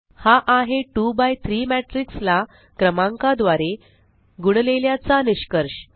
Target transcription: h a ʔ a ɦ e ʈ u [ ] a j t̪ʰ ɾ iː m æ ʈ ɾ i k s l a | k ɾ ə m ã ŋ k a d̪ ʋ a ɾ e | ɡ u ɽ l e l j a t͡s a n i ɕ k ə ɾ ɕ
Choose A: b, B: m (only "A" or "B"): A